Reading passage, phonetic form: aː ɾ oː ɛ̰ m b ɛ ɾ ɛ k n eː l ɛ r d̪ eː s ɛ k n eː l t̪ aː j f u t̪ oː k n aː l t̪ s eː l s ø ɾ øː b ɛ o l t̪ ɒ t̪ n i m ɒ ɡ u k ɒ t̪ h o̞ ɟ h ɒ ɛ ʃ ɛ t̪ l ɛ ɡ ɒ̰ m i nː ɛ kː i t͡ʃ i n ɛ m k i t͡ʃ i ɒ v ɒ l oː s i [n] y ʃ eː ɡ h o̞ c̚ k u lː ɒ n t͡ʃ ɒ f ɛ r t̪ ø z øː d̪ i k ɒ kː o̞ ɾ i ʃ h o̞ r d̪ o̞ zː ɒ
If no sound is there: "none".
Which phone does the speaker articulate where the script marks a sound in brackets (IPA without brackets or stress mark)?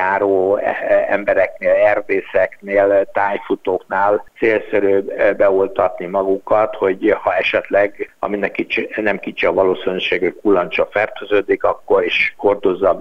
n